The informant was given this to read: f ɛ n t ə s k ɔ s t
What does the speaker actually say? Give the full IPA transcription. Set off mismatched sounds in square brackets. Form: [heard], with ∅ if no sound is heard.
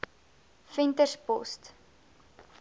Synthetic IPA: f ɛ n t ə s [p] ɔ s t